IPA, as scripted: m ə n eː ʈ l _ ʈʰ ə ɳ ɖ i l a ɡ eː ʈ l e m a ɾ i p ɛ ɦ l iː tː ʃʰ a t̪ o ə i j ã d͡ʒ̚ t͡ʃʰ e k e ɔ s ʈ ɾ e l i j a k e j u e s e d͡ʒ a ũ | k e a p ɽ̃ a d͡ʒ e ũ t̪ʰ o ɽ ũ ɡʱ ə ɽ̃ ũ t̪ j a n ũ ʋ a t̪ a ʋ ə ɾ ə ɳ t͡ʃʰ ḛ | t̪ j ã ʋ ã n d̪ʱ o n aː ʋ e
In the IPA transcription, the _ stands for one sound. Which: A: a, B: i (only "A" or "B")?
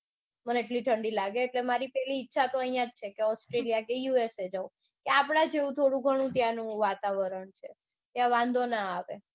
B